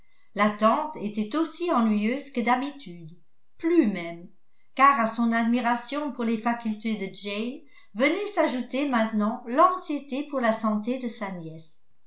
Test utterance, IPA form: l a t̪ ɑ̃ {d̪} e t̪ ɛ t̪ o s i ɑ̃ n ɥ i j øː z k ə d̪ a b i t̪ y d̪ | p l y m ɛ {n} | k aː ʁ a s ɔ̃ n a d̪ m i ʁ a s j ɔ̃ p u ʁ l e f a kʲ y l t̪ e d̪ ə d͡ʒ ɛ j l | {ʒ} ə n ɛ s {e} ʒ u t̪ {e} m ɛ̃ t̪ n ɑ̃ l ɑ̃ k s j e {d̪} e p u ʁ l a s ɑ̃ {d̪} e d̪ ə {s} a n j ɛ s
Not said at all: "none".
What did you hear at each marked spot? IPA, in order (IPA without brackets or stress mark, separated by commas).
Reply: t̪, m, v, a, e, t̪, t̪, s